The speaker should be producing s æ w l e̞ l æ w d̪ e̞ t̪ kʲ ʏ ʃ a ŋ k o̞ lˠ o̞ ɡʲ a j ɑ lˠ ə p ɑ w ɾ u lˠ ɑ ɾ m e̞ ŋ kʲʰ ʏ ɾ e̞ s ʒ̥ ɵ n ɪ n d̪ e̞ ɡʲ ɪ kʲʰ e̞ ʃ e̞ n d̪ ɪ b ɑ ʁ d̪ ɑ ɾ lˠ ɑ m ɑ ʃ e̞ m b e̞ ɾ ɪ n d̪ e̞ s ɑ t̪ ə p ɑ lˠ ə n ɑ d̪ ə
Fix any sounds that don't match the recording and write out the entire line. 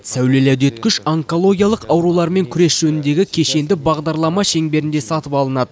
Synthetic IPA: s æ w l e̞ l æ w d̪ e̞ t̪ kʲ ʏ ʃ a ŋ k o̞ lˠ o̞ ɡʲ i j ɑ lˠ ə q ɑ w ɾ u lˠ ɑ ɾ m e̞ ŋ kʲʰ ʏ ɾ e̞ s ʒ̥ ɵ n ɪ n d̪ e̞ ɡʲ ɪ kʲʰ e̞ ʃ e̞ n d̪ ɪ b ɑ ʁ d̪ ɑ ɾ lˠ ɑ m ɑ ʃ e̞ ŋ b e̞ ɾ ɪ n d̪ e̞ s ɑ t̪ ə p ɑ lˠ ə n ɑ d̪ ə